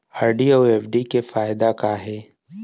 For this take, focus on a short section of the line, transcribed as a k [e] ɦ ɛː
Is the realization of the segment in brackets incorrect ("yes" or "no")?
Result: yes